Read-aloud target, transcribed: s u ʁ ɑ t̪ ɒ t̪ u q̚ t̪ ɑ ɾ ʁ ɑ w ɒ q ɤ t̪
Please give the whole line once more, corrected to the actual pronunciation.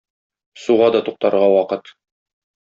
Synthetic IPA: s u ʁ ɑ d̪ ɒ t̪ u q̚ t̪ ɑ ɾ ʁ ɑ w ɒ q ɤ t̪